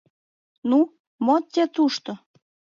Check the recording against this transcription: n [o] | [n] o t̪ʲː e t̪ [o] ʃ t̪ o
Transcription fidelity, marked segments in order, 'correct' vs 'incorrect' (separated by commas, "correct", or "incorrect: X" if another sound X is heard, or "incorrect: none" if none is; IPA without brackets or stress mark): incorrect: u, incorrect: m, incorrect: u